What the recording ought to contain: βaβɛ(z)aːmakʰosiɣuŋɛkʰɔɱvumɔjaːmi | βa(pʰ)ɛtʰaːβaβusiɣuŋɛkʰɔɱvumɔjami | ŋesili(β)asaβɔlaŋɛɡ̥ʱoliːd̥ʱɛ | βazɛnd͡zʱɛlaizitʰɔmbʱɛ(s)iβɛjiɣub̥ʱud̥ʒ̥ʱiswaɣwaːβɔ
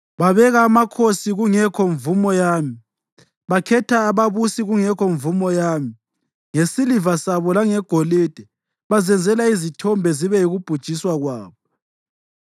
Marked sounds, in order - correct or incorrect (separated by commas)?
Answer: incorrect, incorrect, incorrect, incorrect